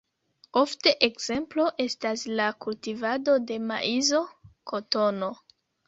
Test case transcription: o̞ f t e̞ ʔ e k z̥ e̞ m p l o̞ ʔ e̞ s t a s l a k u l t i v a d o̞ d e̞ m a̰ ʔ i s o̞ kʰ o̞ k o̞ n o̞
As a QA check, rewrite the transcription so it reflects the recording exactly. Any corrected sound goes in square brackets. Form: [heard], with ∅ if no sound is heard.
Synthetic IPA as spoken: o̞ f t e̞ ʔ e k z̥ e̞ m p l o̞ ʔ e̞ s t a s l a k u l t i v a d o̞ d e̞ m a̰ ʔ i [z] o̞ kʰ o̞ [t] o̞ n o̞